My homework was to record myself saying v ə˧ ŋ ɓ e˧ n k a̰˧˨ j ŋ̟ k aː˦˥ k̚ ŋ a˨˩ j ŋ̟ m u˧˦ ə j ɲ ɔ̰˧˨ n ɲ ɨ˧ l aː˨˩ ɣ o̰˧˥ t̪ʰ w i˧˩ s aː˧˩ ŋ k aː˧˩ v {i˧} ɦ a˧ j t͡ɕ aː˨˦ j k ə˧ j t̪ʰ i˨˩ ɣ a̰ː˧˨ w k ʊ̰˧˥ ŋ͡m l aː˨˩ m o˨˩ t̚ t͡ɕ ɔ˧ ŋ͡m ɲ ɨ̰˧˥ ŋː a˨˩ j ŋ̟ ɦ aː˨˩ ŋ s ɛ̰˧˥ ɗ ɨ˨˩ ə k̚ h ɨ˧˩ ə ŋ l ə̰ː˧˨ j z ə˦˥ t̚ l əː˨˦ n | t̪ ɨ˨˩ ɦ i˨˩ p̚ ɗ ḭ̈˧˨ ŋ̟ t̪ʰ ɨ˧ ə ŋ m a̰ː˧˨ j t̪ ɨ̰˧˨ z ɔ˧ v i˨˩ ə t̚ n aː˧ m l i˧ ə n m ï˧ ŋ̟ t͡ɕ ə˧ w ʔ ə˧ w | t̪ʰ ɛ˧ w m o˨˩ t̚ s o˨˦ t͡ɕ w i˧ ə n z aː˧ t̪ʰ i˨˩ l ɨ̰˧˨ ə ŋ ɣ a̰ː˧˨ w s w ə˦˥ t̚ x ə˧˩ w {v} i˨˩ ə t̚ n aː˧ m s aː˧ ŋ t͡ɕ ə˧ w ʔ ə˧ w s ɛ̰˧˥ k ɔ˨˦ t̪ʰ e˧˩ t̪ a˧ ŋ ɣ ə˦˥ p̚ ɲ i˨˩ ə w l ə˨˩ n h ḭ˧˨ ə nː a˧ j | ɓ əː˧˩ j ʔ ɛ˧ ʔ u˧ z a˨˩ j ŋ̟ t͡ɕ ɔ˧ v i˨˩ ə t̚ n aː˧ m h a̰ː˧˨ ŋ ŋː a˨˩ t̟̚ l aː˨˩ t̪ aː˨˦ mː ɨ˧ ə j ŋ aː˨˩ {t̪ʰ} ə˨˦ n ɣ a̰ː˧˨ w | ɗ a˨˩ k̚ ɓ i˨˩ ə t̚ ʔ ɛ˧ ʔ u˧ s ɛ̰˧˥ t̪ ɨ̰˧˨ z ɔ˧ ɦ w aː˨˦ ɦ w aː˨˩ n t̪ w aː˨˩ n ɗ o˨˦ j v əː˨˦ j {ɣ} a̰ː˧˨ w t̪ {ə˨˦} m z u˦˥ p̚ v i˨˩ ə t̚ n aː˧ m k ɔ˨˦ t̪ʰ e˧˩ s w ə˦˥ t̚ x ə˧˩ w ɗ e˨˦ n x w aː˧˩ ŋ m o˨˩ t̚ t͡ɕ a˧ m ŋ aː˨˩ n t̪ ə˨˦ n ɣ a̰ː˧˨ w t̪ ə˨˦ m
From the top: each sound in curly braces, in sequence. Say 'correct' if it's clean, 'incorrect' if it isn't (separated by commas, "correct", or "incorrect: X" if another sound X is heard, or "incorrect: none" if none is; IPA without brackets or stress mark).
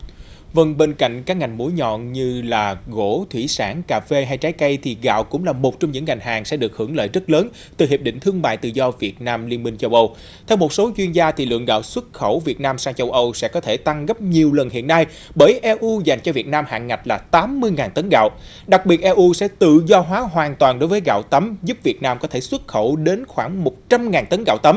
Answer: incorrect: e˧, correct, incorrect: t̪, correct, correct